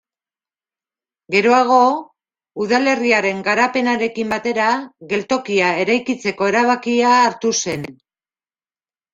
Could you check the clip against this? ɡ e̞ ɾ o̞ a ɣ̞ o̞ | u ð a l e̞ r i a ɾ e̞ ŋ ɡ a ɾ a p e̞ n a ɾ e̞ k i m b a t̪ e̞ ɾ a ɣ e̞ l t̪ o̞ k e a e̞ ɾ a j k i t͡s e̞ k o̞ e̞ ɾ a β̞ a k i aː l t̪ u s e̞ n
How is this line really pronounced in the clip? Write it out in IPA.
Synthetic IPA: ɡ e̞ ɾ o̞ a ɣ̞ o̞ | u ð a l e̞ r i a ɾ e̞ ŋ ɡ a ɾ a p e̞ n a ɾ e̞ k i m b a t̪ e̞ ɾ a ɣ e̞ l t̪ o̞ k i a e̞ ɾ a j k i t͡s e̞ k o̞ e̞ ɾ a β̞ a k i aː ɾ t̪ u s e̞ n